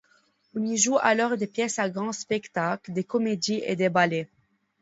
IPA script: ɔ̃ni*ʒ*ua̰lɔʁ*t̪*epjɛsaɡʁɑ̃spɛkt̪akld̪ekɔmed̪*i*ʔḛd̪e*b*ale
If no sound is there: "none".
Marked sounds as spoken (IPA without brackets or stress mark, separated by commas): ʒ, d̪, i, b